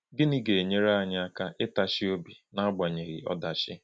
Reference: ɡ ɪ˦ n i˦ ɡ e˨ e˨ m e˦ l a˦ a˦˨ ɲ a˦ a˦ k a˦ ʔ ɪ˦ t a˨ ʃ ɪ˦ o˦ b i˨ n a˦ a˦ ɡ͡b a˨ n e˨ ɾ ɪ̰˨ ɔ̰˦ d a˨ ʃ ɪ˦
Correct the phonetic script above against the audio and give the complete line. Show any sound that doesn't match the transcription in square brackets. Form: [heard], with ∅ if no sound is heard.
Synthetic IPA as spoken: ɡ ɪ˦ n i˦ ɡ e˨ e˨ [ɲ] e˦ [ɾ] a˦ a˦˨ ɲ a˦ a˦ k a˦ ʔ ɪ˦ t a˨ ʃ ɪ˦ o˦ b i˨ n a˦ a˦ ɡ͡b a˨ [ɲ] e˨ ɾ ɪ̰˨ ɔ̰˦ d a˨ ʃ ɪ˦